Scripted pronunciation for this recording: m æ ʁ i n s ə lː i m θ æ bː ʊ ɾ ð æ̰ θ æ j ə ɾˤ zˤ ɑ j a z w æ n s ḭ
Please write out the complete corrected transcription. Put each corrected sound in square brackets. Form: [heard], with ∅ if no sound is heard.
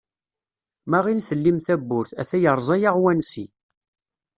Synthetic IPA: m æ ʁ i n s ə lː i m θ æ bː ʊ ɾ [θ] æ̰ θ æ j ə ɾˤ zˤ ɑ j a [ʁ] w æ n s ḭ

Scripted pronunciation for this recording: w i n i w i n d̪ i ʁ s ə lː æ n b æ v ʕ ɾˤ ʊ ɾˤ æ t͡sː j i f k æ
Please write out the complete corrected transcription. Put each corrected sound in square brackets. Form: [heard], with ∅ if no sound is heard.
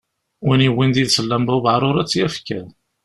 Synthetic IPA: w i n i w i n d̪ i [ð] s ə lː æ [m] b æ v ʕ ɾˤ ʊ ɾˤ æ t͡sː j [æ] f k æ

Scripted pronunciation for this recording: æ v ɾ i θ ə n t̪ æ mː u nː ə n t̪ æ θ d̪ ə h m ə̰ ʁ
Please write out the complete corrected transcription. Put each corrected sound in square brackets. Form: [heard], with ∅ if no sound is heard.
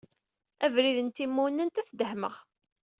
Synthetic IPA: æ v ɾ i [ð] ə n t̪ [i] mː u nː ə n t̪ æ θ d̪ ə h m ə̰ ʁ

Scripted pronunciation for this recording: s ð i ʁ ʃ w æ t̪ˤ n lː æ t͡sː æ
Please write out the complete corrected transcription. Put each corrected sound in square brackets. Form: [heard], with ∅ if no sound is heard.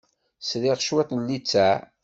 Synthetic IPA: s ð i ʁ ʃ w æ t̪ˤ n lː [i] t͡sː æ

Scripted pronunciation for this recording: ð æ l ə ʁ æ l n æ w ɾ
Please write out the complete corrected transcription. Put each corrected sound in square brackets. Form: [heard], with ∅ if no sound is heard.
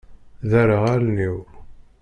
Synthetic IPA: ð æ [ɾ] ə ʁ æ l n [i] w ɾ

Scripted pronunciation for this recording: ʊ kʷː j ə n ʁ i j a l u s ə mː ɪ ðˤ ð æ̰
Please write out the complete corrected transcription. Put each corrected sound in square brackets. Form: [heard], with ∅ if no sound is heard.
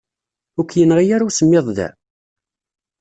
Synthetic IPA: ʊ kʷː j ə n ʁ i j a [ɾ] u s ə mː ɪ ðˤ ð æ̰

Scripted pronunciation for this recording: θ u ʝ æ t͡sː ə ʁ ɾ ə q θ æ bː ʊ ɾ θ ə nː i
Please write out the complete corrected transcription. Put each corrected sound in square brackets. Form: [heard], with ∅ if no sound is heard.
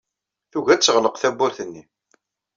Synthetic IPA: θ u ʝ æ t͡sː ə ʁ [l] ə q θ æ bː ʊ ɾ θ ə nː i

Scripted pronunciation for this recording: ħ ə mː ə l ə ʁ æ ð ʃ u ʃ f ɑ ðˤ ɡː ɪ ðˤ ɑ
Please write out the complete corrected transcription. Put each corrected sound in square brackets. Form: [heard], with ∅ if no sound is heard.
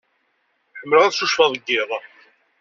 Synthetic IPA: ħ ə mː ə l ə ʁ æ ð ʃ u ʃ f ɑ ðˤ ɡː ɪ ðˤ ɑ

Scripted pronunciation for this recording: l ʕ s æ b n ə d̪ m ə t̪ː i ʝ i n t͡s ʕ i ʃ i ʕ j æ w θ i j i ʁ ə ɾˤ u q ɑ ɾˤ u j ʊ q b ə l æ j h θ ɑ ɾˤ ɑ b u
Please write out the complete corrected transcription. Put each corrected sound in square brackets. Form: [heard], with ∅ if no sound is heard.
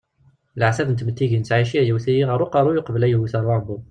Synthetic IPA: l ʕ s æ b n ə [t̪] m ə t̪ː i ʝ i n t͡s ʕ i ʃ i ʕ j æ w θ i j i ʁ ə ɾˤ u q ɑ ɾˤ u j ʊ q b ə l æ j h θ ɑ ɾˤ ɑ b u

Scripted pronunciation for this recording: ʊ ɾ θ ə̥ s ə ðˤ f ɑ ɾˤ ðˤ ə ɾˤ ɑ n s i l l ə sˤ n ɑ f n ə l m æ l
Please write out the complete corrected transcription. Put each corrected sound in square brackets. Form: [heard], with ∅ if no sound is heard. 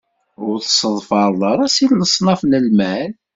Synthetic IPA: ʊ ɾ θ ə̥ s ə ðˤ f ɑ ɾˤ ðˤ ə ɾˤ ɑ [∅] s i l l ə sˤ n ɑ f n ə l m æ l

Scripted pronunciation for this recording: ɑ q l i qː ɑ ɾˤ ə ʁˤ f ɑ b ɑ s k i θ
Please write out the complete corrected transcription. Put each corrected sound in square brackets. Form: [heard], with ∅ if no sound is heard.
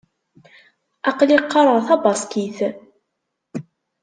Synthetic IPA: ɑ q l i qː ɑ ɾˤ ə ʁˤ [θ] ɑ b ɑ s k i θ

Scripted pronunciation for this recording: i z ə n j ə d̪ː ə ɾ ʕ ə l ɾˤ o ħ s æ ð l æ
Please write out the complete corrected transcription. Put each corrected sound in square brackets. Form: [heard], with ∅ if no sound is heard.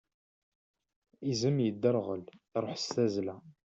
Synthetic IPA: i z ə [m] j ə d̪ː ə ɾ [ʁ] ə l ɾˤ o ħ s æ [z] l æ

